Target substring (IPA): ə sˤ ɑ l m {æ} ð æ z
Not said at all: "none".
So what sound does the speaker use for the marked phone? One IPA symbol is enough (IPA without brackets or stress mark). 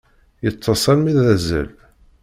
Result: i